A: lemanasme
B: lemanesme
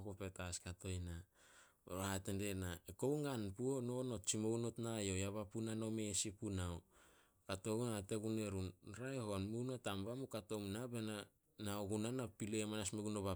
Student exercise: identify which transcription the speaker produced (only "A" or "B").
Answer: A